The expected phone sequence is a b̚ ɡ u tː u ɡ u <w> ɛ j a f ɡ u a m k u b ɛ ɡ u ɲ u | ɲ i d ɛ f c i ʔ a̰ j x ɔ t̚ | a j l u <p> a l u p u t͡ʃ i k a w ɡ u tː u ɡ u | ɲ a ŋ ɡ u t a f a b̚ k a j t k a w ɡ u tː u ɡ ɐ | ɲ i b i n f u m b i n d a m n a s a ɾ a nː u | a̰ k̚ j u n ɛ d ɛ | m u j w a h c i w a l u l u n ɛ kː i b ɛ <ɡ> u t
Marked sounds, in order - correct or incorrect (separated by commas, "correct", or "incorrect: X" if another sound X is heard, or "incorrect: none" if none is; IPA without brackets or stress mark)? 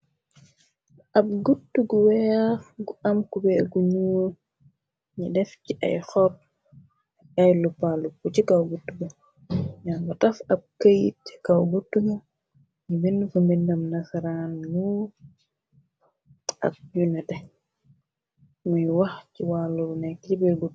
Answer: correct, correct, correct